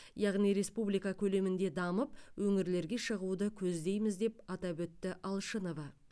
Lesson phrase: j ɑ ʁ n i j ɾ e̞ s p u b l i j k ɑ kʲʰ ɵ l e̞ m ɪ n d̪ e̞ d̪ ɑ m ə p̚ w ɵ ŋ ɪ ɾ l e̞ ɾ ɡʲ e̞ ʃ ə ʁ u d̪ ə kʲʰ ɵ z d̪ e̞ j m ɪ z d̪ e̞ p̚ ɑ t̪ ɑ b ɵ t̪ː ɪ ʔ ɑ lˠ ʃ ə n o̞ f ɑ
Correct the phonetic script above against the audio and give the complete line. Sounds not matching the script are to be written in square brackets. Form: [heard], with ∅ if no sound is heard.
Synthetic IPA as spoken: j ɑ ʁ n i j ɾ e̞ s p u b l i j k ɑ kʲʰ ɵ l e̞ m ɪ n d̪ e̞ d̪ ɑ m ə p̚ w ɵ ŋ ɪ ɾ l e̞ ɾ ɡʲ e̞ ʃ ə ʁ u d̪ ə kʲʰ ɵ z d̪ e̞ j m ɪ z d̪ e̞ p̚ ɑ t̪ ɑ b ɵ t̪ː ɪ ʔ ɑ lˠ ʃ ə n o̞ [v] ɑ